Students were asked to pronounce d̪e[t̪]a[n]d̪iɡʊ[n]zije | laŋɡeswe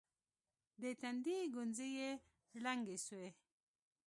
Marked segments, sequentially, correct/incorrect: correct, correct, correct

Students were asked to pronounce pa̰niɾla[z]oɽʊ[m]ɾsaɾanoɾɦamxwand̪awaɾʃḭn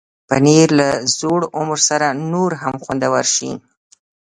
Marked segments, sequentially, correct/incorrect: correct, correct

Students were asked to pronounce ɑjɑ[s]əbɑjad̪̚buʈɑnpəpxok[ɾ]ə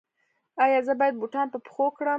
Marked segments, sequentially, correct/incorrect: incorrect: z, incorrect: ɽ

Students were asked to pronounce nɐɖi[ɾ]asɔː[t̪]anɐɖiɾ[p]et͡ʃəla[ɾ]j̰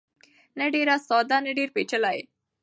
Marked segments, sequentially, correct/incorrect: correct, incorrect: d̪, correct, incorrect: none

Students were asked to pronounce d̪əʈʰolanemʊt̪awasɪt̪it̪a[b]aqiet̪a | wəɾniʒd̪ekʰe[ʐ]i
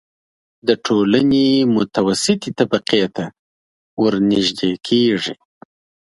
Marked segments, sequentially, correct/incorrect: correct, correct

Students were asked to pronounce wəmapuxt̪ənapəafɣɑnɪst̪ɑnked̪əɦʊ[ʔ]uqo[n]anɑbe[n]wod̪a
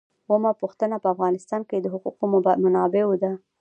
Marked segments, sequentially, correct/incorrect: incorrect: q, incorrect: m, incorrect: none

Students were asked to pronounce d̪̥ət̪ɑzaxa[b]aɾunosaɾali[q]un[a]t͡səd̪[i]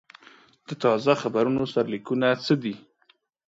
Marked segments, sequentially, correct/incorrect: correct, incorrect: k, correct, correct

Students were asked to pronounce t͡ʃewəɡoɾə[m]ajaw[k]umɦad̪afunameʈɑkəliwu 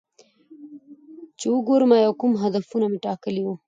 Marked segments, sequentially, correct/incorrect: correct, correct

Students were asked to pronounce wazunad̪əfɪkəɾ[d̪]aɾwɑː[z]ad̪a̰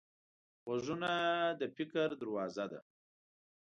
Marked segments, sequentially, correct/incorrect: correct, correct

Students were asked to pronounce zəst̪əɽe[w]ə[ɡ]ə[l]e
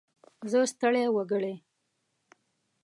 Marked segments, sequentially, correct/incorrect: correct, correct, incorrect: ɽ

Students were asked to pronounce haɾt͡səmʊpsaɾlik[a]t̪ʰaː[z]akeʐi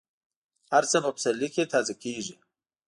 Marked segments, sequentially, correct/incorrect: incorrect: e, correct

